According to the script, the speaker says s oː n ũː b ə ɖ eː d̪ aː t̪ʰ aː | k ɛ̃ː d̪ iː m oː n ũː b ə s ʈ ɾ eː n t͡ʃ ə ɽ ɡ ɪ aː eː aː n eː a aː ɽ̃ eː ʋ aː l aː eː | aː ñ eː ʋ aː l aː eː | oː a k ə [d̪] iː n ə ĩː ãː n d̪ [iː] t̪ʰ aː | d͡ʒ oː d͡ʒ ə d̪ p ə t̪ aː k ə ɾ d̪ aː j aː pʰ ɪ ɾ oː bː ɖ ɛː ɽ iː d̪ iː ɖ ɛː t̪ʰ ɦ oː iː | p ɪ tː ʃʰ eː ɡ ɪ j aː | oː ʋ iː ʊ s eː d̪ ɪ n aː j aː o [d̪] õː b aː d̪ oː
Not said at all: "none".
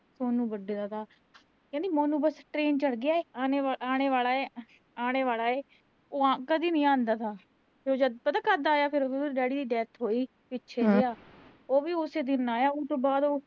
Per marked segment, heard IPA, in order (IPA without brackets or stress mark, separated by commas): d̪, aː, t̪